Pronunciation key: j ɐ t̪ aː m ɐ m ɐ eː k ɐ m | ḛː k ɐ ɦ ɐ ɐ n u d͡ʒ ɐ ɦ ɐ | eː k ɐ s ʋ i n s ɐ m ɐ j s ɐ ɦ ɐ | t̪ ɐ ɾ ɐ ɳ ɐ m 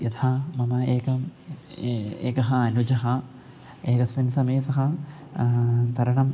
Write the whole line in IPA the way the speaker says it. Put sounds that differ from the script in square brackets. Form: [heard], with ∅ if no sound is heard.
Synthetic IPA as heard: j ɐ [t̪ʰ] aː m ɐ m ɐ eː k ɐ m | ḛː k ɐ ɦ ɐ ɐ n u d͡ʒ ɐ ɦ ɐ | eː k ɐ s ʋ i n s ɐ m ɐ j s ɐ ɦ ɐ | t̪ ɐ ɾ ɐ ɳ ɐ m